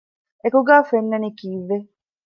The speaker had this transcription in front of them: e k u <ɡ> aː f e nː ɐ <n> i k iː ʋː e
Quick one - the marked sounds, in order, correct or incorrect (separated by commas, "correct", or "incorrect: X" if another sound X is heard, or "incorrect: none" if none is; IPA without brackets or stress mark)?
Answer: correct, correct